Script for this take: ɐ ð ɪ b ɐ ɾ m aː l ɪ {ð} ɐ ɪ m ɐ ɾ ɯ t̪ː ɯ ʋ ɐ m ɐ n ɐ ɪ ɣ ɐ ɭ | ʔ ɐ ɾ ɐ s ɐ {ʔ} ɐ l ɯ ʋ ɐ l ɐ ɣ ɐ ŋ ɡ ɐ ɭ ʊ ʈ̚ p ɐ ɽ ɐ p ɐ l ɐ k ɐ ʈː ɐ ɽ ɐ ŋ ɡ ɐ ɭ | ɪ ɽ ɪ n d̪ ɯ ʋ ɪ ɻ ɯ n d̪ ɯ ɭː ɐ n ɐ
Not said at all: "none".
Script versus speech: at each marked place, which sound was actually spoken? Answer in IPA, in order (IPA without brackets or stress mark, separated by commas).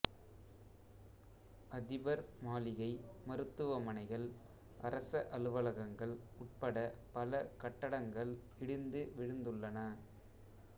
ɣ, ʔ